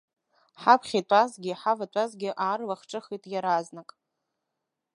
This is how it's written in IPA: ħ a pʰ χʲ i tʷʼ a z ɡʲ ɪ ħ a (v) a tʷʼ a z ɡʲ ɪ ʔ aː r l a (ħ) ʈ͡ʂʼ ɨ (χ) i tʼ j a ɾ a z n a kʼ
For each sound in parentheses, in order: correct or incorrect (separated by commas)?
correct, incorrect, correct